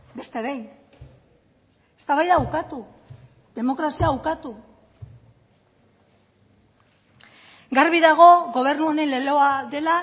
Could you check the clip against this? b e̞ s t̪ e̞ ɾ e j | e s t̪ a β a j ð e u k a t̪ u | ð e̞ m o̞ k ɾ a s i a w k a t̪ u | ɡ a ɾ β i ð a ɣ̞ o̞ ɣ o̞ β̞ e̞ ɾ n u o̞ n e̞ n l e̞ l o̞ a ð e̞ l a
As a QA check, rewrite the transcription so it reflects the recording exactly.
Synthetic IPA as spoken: b e̞ s t̪ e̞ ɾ e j | e s t̪ a β a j ð a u k a t̪ u | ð e̞ m o̞ k ɾ a s i a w k a t̪ u | ɡ a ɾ β i ð a ɣ̞ o̞ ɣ o̞ β̞ e̞ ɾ n u o̞ n e̞ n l e̞ l o̞ a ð e̞ l a